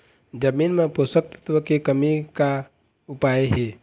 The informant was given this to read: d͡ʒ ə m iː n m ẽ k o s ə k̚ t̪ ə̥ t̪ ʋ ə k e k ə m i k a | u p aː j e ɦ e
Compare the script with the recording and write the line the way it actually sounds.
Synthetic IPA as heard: d͡ʒ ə m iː n m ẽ p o s ə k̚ t̪ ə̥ t̪ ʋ ə k e k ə m i k a | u p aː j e ɦ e